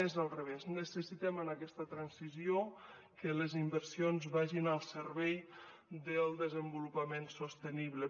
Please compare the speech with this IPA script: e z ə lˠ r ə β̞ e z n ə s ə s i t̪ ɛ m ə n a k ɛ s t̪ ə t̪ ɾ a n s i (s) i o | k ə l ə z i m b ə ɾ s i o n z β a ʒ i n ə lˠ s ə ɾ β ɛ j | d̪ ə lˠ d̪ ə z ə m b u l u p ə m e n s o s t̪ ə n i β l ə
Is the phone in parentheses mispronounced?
yes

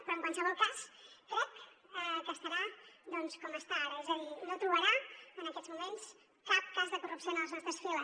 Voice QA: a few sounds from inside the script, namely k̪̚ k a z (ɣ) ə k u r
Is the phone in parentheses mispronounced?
yes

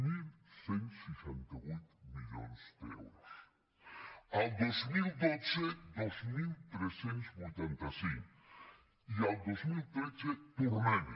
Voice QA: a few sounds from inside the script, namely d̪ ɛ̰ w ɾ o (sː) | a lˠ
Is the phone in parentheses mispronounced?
yes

